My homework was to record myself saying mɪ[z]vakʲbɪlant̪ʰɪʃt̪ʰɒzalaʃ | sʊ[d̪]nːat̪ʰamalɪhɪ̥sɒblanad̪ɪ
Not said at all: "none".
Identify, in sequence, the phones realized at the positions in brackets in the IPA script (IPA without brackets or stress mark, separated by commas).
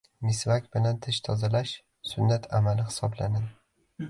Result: s, none